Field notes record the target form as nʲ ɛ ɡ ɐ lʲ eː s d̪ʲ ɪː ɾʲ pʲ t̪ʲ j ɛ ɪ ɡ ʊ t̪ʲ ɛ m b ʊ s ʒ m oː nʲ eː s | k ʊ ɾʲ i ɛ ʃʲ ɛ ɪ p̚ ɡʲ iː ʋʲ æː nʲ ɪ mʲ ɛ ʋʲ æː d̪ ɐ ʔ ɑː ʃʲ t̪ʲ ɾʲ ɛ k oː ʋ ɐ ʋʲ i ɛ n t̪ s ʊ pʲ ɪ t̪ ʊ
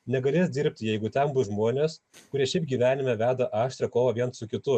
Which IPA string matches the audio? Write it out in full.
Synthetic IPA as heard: nʲ ɛ ɡ ɐ lʲ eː s d̪ʲ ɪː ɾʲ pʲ t̪ʲ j ɛ ɪ ɡ ʊ t̪ʲ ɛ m b ʊ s ʒ m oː nʲ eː s | k ʊ ɾʲ i ɛ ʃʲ ɛ ɪ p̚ ɡʲ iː ʋʲ æː nʲ ɪ mʲ ɛ ʋʲ æː d̪ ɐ ʔ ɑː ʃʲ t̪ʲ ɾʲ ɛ k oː ʋ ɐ ʋʲ i ɛ n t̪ s ʊ kʲ ɪ t̪ ʊ